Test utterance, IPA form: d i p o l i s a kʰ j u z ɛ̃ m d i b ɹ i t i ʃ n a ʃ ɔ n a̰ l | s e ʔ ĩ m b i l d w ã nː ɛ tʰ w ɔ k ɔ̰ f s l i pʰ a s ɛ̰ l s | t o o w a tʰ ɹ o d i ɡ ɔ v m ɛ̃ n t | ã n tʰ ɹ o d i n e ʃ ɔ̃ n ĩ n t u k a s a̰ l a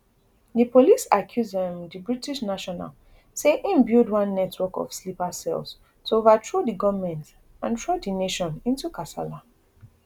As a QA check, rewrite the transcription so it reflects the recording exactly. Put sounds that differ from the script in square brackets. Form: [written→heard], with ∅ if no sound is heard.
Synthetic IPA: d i p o l i s a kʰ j u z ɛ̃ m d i b ɹ i t i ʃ n a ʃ ɔ n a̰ l | s e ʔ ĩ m b i l d w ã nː ɛ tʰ w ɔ k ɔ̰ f s l i [pʰ→p] a s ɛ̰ l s | t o o [w→v] a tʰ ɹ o d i ɡ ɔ v m ɛ̃ n t | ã n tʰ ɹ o d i n e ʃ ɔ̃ n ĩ n t u k a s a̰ l a